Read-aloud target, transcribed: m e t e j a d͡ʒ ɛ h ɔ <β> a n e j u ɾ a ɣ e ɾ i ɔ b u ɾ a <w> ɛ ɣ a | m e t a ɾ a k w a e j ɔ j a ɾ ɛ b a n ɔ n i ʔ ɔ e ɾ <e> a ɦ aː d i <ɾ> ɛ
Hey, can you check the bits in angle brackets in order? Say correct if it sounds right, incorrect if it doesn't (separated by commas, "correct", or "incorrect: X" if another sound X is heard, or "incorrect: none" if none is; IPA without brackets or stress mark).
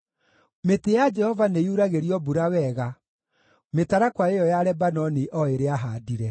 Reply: incorrect: v, correct, correct, correct